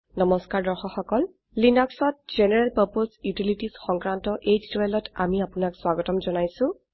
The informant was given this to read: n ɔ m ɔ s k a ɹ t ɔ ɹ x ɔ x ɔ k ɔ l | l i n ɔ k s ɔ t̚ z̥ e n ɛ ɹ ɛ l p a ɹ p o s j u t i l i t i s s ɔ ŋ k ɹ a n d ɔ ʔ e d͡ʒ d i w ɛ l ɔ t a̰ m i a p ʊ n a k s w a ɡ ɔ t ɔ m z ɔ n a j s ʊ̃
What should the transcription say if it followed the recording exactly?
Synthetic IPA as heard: n ɔ m ɔ s k a ɹ d ɔ ɹ x ɔ x ɔ k ɔ l | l i n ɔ k s ɔ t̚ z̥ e n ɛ ɹ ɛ l p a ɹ p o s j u t i l i t i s x ɔ ŋ k ɹ a n t ɔ ʔ e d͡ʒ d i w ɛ l ɔ t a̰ m i a p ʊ n a k s w a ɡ ɔ t ɔ m z ɔ n a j s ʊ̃